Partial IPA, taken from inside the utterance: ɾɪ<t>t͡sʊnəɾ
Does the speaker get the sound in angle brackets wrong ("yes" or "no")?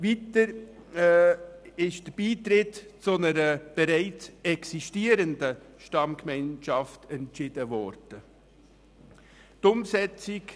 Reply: no